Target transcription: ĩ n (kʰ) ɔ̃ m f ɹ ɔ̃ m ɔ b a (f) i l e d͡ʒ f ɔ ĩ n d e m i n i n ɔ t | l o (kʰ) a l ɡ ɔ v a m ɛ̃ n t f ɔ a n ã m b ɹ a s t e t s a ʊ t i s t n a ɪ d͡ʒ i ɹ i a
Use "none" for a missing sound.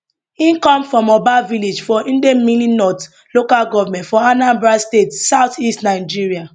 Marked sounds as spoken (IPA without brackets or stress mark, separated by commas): k, v, k